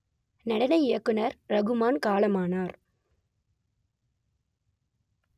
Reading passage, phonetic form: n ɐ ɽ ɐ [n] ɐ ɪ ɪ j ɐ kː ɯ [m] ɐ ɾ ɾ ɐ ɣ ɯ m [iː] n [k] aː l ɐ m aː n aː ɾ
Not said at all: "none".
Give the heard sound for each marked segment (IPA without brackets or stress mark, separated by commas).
n, n, aː, k